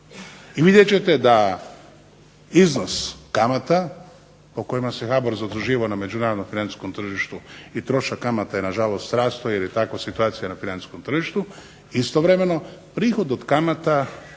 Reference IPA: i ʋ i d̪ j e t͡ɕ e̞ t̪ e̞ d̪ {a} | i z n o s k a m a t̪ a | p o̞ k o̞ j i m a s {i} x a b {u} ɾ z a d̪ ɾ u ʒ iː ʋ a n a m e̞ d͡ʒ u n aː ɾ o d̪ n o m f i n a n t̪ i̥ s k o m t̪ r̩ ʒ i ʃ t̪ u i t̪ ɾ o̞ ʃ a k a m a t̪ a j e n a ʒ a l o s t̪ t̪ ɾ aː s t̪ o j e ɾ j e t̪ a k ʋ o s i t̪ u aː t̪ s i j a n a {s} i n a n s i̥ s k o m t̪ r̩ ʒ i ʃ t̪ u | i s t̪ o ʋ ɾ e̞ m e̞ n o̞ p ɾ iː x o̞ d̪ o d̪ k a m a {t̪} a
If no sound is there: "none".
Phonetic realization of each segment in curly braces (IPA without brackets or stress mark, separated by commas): a, e, o, f, t̪